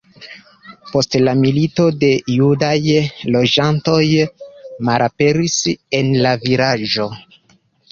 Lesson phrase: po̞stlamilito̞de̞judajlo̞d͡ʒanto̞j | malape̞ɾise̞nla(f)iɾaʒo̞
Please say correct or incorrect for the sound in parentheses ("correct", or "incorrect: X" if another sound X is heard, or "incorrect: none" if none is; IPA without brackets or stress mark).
incorrect: v